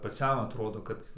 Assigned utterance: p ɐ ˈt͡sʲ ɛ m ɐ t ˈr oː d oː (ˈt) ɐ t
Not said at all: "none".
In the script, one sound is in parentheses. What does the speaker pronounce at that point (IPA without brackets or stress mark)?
k